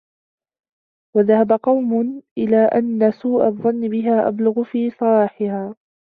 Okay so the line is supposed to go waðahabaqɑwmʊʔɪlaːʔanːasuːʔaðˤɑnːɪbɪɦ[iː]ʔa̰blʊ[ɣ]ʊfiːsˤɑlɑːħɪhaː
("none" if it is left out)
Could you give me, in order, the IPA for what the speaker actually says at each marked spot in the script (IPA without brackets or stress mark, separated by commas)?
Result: aː, ɣ